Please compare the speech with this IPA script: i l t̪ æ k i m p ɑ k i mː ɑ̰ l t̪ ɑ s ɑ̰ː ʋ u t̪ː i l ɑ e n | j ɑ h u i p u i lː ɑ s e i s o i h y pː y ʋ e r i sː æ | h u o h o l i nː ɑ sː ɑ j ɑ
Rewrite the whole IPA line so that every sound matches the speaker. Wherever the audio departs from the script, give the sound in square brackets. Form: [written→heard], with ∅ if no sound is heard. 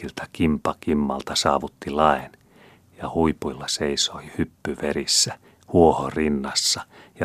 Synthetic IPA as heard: i l t̪ æ k i m p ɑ k i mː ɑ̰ l t̪ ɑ s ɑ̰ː ʋ u t̪ː i l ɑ e n | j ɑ h u i p u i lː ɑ s e i s o i h y pː y ʋ e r i sː æ | h u o h o [l→r] i nː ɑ sː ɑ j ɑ